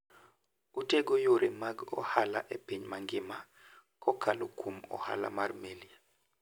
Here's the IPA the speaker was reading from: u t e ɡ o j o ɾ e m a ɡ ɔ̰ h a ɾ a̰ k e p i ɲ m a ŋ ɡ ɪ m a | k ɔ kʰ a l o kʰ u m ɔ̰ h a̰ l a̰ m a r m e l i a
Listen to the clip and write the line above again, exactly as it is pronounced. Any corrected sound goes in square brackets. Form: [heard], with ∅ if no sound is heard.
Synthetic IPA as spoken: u t e ɡ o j o ɾ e m a ɡ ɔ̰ h a [l] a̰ [ʔ] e p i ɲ m a ŋ ɡ ɪ m a | k ɔ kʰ a l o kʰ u m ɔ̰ h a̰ l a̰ m a r m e l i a